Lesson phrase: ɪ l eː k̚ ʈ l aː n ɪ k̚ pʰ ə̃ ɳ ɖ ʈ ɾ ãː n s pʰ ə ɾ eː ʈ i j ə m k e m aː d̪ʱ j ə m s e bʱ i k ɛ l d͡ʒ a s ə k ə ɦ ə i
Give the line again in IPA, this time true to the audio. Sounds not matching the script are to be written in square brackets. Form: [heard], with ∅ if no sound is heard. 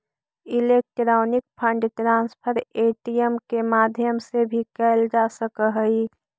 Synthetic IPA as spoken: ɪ l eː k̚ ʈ [ɾ] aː n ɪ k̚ pʰ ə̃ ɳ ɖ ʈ ɾ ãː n s pʰ ə ɾ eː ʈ i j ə m k e m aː d̪ʱ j ə m s e bʱ i k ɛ l d͡ʒ a s ə k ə ɦ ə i

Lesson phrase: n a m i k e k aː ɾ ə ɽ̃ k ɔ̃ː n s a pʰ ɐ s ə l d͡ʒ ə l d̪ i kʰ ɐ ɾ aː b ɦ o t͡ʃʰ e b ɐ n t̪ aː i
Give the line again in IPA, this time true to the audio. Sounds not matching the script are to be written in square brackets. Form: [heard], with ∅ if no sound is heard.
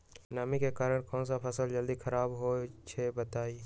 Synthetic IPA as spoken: n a m i k e k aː ɾ ə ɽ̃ k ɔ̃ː n s a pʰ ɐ s ə l d͡ʒ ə l d̪ i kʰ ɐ ɾ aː b ɦ o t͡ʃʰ e b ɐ [∅] t̪ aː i

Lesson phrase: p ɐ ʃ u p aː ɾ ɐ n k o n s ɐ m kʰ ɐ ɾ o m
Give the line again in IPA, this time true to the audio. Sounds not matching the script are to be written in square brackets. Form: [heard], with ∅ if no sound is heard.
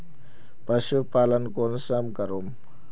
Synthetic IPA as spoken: p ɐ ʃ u p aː [l] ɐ n k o n s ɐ m [k] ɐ ɾ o m

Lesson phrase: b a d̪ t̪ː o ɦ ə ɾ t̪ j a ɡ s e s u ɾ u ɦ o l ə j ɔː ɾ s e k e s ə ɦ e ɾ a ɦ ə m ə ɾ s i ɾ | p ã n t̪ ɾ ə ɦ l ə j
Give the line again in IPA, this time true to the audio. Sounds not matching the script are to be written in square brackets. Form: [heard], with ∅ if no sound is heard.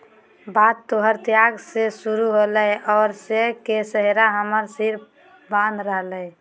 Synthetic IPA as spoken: b a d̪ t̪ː o ɦ ə ɾ t̪ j a ɡ s e s u ɾ u ɦ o l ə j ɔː ɾ s e k e s ə ɦ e ɾ a ɦ ə m ə ɾ s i ɾ | [b] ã n [d̪] ɾ ə ɦ l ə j

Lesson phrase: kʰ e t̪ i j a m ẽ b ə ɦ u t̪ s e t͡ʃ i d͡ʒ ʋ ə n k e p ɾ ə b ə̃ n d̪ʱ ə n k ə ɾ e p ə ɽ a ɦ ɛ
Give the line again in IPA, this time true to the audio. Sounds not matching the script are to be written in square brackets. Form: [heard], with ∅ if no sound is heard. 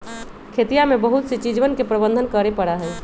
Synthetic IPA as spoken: kʰ e t̪ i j a m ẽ b ə ɦ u t̪ s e t͡ʃ i d͡ʒ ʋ ə n k e p ɾ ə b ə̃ n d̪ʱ ə n k ə ɾ e p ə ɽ a ɦ ɛ

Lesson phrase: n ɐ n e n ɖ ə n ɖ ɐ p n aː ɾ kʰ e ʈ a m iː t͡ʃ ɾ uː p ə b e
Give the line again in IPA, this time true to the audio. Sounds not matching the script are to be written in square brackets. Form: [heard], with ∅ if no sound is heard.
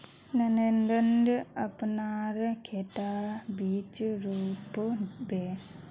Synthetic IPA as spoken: n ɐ n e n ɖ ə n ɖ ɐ p n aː ɾ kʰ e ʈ a [b] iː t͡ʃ ɾ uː p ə b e

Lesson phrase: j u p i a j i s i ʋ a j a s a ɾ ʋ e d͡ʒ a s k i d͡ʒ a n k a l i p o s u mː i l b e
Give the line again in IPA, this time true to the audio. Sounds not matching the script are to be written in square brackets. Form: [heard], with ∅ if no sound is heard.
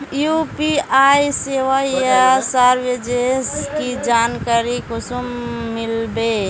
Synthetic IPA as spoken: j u p i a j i s [e] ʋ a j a s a ɾ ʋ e d͡ʒ [e] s k i d͡ʒ a n k a [ɾ] i [k] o s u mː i l b e

